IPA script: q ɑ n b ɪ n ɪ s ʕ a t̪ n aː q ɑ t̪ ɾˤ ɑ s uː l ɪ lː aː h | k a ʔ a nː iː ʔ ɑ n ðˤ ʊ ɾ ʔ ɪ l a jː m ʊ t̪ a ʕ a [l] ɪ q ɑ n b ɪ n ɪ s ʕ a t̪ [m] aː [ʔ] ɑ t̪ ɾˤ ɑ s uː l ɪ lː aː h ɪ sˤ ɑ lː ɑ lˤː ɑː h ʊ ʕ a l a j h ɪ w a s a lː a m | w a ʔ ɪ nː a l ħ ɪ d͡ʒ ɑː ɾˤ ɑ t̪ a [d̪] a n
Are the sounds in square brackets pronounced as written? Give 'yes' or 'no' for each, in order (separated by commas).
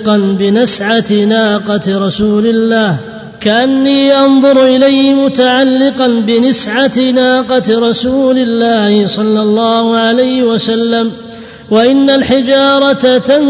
no, no, no, no